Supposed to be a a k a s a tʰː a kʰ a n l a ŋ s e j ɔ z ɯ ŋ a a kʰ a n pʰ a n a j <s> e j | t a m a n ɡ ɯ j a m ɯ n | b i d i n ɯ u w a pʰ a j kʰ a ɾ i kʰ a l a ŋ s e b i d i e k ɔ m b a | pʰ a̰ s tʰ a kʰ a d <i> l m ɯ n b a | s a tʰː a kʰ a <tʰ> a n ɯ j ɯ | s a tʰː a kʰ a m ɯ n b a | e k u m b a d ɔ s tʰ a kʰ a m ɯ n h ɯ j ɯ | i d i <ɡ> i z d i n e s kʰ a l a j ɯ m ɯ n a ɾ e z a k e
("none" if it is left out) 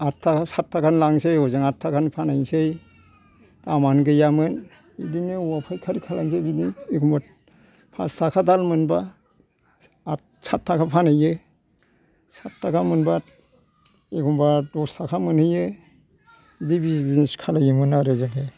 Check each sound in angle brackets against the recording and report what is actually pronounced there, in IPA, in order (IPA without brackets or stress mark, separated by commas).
s, a, pʰ, b